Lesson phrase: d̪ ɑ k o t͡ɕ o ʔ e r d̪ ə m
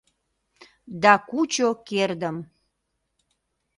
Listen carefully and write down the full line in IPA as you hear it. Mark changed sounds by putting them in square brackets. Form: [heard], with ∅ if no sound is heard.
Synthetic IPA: d̪ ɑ k [u] t͡ɕ o [k] e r d̪ ə m